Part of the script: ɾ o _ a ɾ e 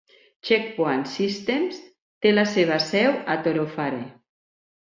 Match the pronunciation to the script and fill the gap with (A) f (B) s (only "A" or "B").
A